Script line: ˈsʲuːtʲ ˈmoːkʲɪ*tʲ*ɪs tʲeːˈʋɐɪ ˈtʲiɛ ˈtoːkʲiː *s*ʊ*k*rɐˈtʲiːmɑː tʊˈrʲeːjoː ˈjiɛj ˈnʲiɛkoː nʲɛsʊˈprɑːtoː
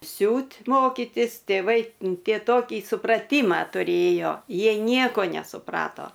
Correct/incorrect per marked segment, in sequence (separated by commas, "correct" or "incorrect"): correct, correct, incorrect